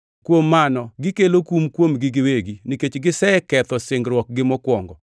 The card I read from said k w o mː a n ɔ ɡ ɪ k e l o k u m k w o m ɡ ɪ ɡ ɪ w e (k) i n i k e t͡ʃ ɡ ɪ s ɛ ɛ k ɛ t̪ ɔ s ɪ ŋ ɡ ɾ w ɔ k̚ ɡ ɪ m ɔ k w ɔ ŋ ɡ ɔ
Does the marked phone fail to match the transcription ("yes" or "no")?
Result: yes